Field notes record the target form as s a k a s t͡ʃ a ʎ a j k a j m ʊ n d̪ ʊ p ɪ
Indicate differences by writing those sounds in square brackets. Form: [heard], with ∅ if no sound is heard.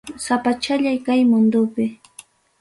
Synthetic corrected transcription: s a [p] a [∅] t͡ʃ a ʎ a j k a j m ʊ n d̪ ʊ p ɪ